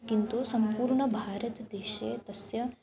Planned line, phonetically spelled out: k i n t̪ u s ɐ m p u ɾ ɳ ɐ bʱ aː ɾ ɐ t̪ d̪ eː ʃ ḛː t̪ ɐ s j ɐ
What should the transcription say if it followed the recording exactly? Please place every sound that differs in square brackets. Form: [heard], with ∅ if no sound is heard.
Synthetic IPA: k i n t̪ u s ɐ m p [uː] ɾ ɳ ɐ bʱ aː ɾ ɐ t̪ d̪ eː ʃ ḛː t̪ ɐ s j ɐ